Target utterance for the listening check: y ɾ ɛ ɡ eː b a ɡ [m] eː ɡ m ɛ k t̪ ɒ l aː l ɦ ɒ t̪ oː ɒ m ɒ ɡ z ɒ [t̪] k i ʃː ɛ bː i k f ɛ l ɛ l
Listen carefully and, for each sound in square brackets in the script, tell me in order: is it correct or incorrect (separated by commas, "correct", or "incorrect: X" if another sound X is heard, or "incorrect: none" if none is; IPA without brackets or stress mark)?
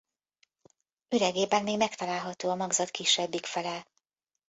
correct, correct